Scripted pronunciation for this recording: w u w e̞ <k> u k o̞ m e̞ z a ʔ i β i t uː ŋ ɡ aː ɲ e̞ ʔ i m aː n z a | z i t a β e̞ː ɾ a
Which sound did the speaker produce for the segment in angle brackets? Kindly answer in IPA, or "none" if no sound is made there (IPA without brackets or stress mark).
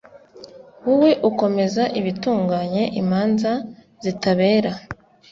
ʔ